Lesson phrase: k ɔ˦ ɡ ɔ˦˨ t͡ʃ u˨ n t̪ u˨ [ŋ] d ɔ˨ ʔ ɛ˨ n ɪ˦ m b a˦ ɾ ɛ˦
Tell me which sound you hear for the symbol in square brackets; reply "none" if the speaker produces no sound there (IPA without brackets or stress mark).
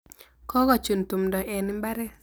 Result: m